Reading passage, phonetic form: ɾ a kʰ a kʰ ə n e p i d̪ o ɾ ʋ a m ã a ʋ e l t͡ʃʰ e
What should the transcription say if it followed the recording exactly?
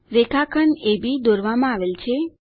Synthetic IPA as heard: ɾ e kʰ a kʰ ə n e b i d̪ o ɾ ʋ a m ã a ʋ e l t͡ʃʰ e